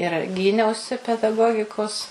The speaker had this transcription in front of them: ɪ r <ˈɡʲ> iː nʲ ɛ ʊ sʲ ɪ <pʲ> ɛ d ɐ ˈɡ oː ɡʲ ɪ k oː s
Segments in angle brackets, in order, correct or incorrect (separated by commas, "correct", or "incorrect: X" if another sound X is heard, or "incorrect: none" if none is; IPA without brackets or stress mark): correct, correct